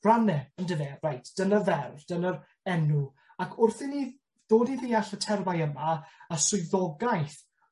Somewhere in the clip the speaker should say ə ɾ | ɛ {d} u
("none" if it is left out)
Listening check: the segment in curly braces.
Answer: n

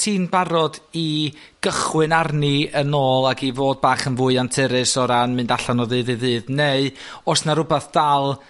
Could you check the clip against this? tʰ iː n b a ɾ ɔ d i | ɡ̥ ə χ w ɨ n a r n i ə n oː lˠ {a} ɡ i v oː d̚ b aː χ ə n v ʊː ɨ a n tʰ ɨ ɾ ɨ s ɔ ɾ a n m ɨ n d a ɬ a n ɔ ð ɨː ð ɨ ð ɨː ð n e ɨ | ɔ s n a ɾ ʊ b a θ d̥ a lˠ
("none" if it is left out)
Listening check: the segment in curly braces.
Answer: a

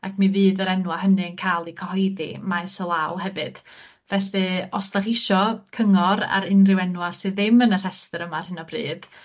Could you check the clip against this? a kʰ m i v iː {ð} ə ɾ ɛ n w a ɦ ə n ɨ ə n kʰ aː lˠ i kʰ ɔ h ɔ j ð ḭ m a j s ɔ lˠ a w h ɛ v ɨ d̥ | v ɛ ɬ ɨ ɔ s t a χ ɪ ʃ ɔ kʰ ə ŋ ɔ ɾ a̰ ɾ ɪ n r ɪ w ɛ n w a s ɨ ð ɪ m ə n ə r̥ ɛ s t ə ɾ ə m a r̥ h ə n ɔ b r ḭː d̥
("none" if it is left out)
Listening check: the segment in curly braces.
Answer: ð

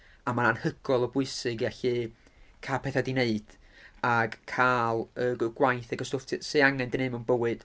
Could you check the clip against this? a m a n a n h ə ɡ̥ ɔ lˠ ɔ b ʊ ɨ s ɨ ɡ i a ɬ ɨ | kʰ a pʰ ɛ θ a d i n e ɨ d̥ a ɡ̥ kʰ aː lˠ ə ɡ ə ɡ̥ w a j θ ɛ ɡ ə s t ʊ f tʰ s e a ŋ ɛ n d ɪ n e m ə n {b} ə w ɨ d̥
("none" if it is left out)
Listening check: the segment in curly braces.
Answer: b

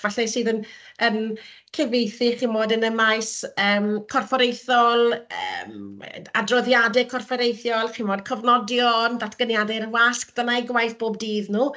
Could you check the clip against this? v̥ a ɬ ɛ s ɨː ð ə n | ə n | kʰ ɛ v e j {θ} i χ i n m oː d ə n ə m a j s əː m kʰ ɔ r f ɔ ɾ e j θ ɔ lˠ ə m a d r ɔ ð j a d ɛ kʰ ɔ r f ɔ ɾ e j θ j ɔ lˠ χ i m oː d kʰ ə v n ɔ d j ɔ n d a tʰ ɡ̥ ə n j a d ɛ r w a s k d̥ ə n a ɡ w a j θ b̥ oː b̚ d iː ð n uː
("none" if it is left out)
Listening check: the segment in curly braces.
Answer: θ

